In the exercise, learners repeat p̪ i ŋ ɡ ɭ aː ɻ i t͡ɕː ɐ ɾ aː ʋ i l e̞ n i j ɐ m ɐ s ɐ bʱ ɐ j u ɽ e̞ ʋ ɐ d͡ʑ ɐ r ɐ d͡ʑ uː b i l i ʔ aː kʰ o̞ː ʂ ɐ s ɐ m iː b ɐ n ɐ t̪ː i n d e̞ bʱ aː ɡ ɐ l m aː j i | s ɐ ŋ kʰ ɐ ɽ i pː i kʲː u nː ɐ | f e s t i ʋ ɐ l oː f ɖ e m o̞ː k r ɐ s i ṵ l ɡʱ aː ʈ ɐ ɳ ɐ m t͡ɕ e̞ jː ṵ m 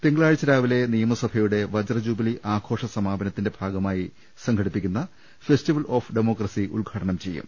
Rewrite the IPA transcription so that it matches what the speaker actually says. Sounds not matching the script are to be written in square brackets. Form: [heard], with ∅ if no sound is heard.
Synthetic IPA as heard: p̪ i ŋ ɡ ɭ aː ɻ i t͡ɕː ɐ ɾ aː ʋ i l e̞ n i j ɐ m ɐ s ɐ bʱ ɐ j u ɽ e̞ ʋ ɐ d͡ʑ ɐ r ɐ d͡ʑ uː b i l i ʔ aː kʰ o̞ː ʂ ɐ s ɐ m [aː] b ɐ n ɐ t̪ː i n d e̞ bʱ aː ɡ ɐ [∅] m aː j i | s ɐ ŋ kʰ ɐ ɽ i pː i kʲː u nː ɐ | f e s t i ʋ ɐ l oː f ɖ e m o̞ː k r ɐ s i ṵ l ɡʱ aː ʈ ɐ ɳ ɐ m t͡ɕ e̞ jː ṵ m

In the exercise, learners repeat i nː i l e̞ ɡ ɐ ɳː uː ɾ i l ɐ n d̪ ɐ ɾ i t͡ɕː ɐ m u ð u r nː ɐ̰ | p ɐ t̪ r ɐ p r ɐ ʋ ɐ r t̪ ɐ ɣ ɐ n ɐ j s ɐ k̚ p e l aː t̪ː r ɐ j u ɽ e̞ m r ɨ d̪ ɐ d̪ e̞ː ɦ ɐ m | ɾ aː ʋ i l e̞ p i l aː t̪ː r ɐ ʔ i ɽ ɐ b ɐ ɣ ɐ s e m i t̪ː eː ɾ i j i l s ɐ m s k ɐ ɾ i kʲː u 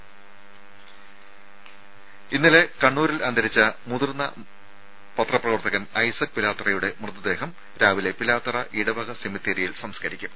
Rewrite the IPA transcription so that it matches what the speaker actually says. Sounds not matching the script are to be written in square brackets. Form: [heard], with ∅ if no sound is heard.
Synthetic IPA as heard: i nː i l e̞ [k] ɐ ɳː uː ɾ i l ɐ n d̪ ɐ ɾ i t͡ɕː ɐ m u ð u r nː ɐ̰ | p ɐ t̪ r ɐ p r ɐ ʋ ɐ r t̪ ɐ ɣ ɐ n ɐ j s ɐ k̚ p [i] l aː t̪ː r ɐ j u ɽ e̞ m r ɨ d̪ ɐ d̪ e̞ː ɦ ɐ m | ɾ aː ʋ i l e̞ p i l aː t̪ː r ɐ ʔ i ɽ ɐ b ɐ ɣ ɐ s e m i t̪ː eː ɾ i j i l s ɐ m s k ɐ ɾ i kʲː u

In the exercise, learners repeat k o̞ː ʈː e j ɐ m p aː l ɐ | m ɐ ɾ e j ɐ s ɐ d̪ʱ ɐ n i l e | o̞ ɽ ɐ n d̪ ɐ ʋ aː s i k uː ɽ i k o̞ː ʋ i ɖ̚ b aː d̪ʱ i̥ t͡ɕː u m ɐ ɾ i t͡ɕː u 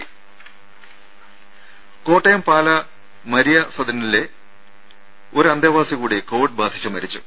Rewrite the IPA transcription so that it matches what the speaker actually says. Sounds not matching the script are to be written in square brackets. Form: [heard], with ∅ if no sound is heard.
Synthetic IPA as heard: k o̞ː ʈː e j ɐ m p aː l ɐ | m ɐ ɾ [i] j ɐ s ɐ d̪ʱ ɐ n i l e | o̞ [ɾ] ɐ n d̪ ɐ ʋ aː s i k uː ɽ i k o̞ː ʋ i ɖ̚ b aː d̪ʱ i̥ t͡ɕː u m ɐ ɾ i t͡ɕː u

